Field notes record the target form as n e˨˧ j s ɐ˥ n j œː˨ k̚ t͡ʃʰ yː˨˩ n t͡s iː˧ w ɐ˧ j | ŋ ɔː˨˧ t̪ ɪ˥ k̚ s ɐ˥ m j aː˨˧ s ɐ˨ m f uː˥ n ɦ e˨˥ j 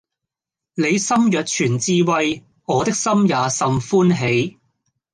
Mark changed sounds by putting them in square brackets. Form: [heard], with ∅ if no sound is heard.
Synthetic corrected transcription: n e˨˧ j s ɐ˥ [m] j œː˨ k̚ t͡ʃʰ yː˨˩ n t͡s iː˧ w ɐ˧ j | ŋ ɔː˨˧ t̪ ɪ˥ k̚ s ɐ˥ m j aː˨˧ s ɐ˨ m f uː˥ n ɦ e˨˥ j